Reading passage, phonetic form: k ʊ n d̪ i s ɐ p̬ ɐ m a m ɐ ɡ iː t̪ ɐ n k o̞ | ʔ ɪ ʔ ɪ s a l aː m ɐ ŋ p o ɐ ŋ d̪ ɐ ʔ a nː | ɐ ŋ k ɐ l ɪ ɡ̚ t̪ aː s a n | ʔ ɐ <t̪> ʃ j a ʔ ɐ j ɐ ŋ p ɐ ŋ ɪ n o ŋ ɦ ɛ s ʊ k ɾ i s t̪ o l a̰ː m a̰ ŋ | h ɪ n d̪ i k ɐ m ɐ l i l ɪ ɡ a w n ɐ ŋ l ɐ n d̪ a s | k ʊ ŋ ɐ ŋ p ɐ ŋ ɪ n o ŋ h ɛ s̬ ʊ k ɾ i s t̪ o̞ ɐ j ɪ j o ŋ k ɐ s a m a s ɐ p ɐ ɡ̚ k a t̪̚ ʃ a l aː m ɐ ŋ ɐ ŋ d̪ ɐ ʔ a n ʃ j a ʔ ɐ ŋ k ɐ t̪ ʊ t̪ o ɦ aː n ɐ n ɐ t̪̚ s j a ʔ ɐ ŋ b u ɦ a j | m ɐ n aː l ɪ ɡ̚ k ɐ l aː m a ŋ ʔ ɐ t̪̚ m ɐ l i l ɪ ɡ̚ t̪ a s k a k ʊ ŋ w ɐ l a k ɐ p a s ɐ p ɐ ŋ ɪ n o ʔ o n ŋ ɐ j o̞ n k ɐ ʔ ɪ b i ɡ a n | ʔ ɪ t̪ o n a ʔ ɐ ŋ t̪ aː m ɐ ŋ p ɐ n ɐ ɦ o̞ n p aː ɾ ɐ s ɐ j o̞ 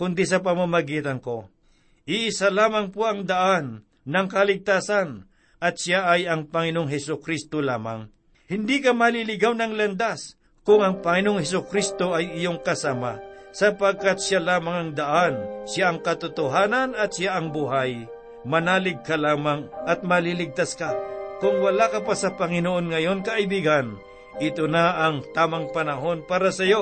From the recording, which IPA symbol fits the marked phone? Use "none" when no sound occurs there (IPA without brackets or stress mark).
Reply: t̪